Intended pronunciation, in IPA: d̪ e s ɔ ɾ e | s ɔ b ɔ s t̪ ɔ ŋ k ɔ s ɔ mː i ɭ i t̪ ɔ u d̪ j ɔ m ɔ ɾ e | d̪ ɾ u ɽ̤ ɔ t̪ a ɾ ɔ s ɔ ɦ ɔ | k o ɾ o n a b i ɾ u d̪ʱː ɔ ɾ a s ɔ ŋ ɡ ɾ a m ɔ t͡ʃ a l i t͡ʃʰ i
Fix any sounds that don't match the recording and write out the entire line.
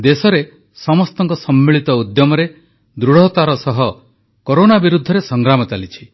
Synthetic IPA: d̪ e s ɔ ɾ e | s ɔ m ɔ s t̪ ɔ ŋ k ɔ s ɔ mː i ɭ i t̪ ɔ u d̪ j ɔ m ɔ ɾ e | d̪ ɾ u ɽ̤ ɔ t̪ a ɾ ɔ s ɔ ɦ ɔ | k o ɾ o n a b i ɾ u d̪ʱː ɔ ɾ e s ɔ ŋ ɡ ɾ a m ɔ t͡ʃ a l i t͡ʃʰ i